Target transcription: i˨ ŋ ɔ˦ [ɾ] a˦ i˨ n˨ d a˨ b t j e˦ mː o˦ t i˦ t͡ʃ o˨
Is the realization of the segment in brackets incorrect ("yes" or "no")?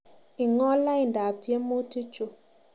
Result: yes